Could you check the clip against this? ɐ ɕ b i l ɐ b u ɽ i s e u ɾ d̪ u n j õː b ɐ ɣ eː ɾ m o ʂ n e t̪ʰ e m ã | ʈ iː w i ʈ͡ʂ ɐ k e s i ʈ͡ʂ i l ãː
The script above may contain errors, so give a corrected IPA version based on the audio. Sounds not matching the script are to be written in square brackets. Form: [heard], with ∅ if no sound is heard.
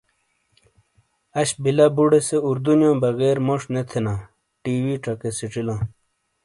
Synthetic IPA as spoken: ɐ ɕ b i l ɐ b u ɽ [e] s e u ɾ d̪ u n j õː b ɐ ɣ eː ɾ m o ʂ n e t̪ʰ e [n] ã | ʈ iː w i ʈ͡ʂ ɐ k e s i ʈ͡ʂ i l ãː